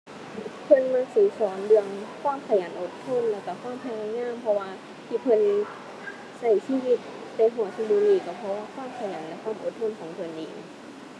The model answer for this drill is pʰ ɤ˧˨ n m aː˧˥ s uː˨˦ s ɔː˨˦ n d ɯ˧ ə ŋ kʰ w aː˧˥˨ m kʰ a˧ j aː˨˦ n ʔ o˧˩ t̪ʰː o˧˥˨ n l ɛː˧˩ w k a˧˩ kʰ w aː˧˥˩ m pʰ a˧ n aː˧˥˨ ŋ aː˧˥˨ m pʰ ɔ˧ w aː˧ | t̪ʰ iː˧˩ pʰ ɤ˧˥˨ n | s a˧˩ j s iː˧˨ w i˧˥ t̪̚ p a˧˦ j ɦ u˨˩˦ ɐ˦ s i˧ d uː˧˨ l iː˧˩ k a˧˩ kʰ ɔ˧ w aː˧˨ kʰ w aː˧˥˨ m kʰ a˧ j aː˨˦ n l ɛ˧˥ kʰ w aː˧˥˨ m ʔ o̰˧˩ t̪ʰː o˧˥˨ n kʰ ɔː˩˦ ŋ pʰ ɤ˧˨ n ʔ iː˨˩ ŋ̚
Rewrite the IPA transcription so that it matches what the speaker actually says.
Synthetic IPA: pʰ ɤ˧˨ n m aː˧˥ s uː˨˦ s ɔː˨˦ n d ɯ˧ ə ŋ kʰ w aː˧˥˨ m kʰ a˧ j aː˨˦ n ʔ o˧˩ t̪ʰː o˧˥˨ n l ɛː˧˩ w k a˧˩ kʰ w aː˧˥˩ m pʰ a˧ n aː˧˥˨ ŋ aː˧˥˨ m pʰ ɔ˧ w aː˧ | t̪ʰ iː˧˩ pʰ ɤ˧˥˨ n | s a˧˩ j s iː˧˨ w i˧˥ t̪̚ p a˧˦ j ɦ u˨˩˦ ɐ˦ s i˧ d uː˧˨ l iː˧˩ k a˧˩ pʰ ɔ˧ w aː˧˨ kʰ w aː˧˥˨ m kʰ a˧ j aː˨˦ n l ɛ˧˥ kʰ w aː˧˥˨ m ʔ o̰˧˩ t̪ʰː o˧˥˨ n kʰ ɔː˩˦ ŋ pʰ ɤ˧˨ n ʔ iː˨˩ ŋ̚